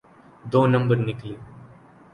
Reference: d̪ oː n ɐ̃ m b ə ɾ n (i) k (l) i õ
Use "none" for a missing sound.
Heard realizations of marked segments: ɪ, l

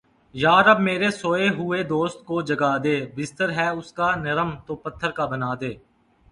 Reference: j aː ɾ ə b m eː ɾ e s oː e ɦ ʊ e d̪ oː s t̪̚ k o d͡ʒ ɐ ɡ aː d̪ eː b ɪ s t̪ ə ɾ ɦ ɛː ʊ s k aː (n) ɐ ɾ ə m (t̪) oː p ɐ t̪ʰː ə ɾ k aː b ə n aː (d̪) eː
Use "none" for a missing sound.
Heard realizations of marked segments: n, t̪, d̪

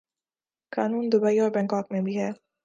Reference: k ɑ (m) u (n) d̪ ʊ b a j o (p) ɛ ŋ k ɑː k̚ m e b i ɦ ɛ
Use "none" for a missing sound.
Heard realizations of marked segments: n, n, b

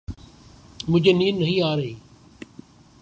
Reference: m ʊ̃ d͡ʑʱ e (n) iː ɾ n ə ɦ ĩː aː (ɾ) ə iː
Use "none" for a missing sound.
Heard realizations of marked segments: n, ɾ

